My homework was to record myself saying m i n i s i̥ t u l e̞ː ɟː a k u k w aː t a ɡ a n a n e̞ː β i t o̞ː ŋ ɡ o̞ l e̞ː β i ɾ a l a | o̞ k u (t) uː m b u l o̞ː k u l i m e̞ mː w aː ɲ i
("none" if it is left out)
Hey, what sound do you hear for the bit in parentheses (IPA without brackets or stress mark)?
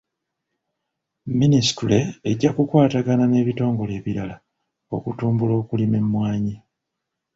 t